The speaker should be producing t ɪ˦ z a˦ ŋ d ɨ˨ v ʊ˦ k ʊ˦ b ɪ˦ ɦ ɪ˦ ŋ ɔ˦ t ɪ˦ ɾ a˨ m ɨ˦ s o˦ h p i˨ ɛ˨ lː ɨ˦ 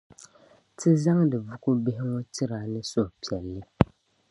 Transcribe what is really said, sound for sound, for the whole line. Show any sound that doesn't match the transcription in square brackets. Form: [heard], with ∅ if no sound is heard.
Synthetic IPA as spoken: t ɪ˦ z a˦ ŋ d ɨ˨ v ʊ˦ k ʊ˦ b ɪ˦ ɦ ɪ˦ ŋ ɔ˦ t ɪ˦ ɾ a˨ [n] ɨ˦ s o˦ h p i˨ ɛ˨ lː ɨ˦